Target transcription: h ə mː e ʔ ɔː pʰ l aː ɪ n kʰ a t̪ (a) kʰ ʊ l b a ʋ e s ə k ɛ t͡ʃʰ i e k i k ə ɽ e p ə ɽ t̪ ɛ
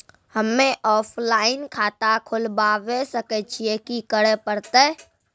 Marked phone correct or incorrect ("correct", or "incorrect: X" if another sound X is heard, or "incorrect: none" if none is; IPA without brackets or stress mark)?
correct